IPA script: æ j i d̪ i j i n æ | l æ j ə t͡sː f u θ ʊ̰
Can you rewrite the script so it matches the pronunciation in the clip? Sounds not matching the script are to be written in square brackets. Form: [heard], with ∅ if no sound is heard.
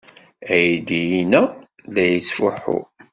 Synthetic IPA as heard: æ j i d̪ i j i n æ | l æ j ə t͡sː f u [ħ] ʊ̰